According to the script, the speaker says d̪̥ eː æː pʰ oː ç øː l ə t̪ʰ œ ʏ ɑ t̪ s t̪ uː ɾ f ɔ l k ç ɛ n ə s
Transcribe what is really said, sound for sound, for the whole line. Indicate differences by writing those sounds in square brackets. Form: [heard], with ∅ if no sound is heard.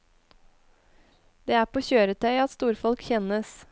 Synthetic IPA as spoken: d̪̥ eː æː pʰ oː ç øː [ɾ] ə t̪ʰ œ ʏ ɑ t̪ s t̪ uː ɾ f ɔ l k ç ɛ n ə s